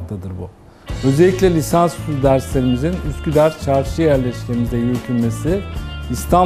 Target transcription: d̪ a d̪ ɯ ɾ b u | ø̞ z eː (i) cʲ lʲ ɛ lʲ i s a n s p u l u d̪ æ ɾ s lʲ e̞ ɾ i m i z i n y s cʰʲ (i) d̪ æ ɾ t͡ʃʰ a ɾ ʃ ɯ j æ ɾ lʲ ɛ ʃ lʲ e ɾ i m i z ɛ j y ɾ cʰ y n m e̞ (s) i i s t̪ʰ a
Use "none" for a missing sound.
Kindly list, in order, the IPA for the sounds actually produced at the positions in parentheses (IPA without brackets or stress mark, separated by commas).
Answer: i, y, s